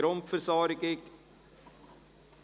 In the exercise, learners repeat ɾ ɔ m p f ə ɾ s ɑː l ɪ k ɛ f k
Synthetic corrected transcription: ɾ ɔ m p f ə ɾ s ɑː ɾ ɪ k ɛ k

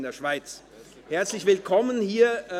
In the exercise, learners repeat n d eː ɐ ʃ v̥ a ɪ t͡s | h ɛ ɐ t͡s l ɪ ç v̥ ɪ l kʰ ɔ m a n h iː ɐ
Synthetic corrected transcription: n d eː ɐ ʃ v̥ a ɪ t͡s | h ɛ ɐ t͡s l ɪ ç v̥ ɪ l kʰ ɔ m ə n h iː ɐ

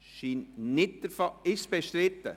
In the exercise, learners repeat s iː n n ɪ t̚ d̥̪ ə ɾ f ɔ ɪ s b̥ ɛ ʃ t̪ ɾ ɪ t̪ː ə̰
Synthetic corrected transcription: ʃ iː n n ɪ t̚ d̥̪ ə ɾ f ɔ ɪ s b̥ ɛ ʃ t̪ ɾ ɪ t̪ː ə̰

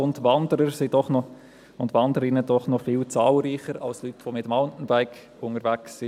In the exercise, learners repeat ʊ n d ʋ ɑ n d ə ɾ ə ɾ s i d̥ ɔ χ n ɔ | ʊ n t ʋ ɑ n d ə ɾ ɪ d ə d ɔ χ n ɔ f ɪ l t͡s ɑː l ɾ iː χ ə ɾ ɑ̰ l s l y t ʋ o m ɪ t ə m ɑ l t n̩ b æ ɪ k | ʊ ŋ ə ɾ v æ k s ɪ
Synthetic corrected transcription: ʊ n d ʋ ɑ n d ə ɾ ə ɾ s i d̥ ɔ χ n ɔ | ʊ n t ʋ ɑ n d ə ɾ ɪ n ə d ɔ χ n ɔ f ɪ l t͡s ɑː l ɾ iː χ ə ɾ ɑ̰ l s l y t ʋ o m ɪ t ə m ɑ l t n̩ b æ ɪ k | ʊ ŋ ə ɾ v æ k s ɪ

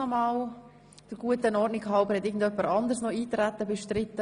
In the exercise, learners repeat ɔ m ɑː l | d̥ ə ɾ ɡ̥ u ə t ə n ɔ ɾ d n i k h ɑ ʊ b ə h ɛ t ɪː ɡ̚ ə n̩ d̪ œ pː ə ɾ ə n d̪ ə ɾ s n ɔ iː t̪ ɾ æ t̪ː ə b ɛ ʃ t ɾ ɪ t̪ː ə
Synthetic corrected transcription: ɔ m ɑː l | d̥ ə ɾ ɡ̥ u ə t ə n ɔ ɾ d n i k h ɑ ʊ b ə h ɛ t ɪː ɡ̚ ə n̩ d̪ œ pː ə ɾ ɑ n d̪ ə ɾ s n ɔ iː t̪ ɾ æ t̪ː ə b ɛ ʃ t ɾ ɪ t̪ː ə

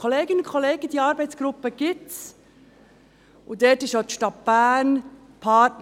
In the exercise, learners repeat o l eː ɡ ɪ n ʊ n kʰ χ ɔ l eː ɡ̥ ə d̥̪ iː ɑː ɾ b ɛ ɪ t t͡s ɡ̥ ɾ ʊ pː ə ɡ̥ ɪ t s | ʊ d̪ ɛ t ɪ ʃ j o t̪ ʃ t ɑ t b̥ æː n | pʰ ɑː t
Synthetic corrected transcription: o l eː ɡ ɪ n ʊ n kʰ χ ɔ l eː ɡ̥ ə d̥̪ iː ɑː ɾ b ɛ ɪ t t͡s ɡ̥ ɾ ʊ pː ə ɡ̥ ɪ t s | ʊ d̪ ɛ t ɪ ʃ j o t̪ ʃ t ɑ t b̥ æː n | pʰ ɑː t

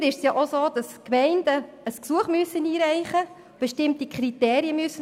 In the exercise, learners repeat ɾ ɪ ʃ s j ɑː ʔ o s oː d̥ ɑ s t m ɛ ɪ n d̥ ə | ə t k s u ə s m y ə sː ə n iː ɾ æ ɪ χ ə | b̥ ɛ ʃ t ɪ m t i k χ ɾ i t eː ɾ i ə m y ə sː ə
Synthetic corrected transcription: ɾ ɪ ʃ s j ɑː ʔ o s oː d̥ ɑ s k m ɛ ɪ n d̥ ə | ə s k s u ə χ m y ə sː ə n iː ɾ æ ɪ χ ə | b̥ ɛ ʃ t ɪ m t i k χ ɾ i t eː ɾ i ə m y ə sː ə

